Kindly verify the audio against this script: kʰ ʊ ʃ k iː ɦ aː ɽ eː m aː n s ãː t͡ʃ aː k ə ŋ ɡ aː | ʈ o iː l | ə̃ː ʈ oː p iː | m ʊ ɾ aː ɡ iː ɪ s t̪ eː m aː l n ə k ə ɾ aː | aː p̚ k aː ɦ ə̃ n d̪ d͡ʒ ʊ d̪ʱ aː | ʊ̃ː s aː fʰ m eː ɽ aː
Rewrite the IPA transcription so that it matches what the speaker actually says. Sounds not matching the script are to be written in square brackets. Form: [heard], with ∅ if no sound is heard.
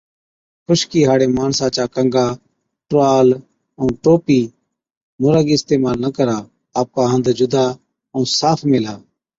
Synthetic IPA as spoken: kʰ ʊ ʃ k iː ɦ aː ɽ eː m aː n s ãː t͡ʃ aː k ə ŋ ɡ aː | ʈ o [aː] l | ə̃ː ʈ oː p iː | m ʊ ɾ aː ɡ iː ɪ s t̪ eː m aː l n ə k ə ɾ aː | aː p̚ k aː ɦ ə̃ n d̪ d͡ʒ ʊ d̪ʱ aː | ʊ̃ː s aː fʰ m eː [l] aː